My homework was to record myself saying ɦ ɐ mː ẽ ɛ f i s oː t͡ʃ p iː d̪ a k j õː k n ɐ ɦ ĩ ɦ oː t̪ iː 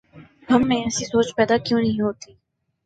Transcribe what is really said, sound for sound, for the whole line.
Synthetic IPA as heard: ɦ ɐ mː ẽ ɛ s i s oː t͡ʃ p ɛː d̪ a k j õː n ɐ ɦ ĩ ɦ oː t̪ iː